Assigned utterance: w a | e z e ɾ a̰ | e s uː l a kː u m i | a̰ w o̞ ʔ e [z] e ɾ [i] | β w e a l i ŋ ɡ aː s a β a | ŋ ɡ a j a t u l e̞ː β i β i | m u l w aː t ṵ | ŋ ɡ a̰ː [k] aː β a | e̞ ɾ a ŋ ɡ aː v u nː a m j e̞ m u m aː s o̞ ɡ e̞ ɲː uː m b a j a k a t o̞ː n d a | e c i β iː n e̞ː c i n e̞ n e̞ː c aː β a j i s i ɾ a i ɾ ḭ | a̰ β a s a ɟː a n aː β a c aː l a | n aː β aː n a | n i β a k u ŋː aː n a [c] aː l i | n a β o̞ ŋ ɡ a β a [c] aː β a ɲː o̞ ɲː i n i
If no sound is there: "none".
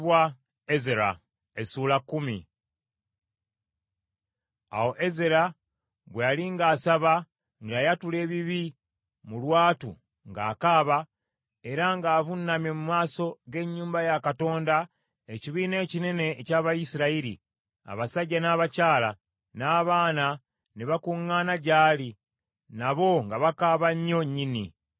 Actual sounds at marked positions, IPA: z, a, k, ɟ, k

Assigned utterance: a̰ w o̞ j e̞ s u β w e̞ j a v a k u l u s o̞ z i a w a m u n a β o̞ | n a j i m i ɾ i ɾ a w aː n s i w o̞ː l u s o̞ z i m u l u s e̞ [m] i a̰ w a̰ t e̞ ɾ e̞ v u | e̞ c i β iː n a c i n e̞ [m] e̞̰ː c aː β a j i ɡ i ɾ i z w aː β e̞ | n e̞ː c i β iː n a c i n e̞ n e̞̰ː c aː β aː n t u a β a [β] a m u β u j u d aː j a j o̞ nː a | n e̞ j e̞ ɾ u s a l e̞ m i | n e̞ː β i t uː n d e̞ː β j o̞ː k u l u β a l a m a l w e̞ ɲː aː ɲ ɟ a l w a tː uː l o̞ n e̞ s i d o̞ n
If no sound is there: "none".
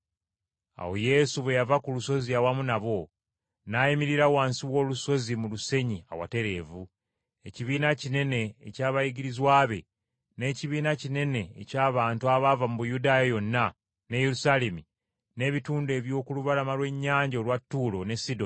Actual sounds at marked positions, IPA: ɲ, n, v

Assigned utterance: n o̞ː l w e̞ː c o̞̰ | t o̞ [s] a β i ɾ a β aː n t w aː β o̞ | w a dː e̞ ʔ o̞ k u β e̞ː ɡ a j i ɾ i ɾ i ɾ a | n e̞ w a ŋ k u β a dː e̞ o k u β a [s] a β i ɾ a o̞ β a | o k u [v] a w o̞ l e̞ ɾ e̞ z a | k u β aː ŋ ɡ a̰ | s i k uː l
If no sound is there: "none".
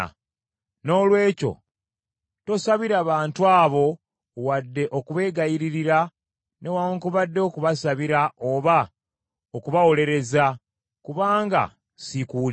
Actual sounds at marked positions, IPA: s, s, β

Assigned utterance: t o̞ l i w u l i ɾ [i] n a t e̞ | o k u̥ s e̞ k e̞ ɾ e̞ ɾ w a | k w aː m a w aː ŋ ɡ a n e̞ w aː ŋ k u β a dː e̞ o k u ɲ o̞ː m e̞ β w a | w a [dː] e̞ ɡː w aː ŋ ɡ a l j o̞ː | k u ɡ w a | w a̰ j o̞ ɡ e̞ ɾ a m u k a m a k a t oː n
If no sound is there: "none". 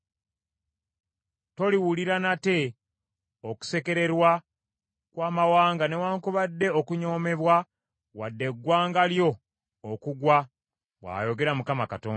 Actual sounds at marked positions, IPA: a, dː

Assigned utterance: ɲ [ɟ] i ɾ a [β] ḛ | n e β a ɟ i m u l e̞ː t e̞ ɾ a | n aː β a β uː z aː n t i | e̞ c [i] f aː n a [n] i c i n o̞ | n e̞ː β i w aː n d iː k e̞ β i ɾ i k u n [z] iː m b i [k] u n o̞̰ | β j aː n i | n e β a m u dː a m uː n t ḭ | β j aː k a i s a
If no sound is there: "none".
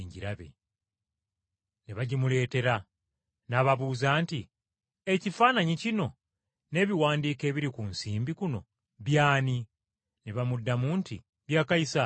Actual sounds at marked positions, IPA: ɟ, β, i, ɲ, s, k

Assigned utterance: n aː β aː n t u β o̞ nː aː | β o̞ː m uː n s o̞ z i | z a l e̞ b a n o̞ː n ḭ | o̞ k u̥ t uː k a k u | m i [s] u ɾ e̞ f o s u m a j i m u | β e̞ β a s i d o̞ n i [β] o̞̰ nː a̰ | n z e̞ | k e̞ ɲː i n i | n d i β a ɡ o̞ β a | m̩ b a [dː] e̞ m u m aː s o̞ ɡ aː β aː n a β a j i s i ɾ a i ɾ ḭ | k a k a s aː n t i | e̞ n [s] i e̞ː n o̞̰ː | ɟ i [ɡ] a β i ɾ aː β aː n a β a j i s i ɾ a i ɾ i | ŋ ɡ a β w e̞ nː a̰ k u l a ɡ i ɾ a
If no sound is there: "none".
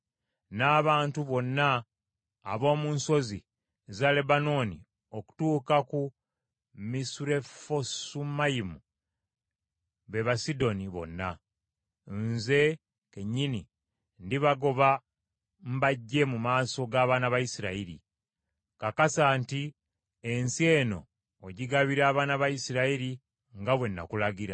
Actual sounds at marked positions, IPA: s, β, ɟː, s, ɡ

